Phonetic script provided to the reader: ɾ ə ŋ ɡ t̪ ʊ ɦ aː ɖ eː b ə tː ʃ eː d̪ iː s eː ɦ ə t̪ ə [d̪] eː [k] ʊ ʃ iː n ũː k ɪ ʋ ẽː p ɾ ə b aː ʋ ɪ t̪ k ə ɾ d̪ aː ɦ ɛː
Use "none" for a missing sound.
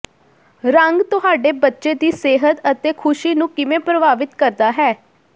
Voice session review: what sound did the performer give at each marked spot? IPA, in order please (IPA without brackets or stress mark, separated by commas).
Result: t̪, kʰ